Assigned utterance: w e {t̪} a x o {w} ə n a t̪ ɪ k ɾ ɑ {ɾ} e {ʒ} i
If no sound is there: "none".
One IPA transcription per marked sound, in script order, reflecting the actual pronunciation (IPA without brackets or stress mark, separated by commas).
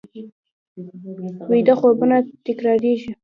d̪, b, ɾ, ʒ